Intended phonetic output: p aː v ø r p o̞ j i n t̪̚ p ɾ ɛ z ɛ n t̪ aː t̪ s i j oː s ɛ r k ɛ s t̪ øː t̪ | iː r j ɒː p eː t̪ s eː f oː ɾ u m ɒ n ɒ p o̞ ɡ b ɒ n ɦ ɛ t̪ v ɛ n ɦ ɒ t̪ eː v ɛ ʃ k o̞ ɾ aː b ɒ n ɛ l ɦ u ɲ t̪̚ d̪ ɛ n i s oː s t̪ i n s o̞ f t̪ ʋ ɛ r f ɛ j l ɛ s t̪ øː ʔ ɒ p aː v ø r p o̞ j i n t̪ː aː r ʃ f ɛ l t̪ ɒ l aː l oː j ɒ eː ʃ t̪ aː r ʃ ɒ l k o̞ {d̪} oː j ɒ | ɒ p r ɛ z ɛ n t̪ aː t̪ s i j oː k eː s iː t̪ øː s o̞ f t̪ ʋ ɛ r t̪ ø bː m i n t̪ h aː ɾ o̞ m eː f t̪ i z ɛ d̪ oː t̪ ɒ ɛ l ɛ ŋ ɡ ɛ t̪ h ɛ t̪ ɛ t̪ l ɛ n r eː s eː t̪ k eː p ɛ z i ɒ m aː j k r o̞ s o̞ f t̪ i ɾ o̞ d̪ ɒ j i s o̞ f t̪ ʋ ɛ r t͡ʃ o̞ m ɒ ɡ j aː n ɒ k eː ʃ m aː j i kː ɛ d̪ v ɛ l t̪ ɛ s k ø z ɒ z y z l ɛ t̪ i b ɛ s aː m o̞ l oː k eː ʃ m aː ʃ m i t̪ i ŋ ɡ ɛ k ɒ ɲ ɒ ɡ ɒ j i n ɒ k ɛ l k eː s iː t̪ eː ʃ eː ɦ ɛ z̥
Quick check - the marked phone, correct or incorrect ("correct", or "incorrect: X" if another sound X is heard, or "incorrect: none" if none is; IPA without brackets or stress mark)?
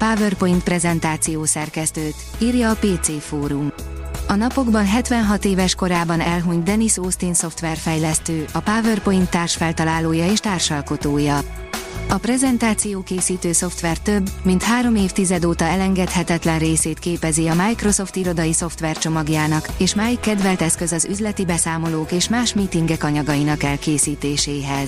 incorrect: t̪